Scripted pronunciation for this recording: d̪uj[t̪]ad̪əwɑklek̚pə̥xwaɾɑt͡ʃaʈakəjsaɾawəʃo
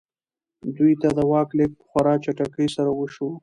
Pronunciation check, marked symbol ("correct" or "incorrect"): correct